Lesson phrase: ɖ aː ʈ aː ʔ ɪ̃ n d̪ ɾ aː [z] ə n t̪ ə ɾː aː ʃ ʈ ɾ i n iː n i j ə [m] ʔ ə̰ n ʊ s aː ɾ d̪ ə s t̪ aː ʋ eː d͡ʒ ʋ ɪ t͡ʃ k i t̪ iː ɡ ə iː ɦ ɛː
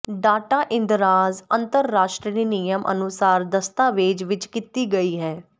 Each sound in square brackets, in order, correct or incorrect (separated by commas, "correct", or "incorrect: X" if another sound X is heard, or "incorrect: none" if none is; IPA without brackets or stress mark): correct, correct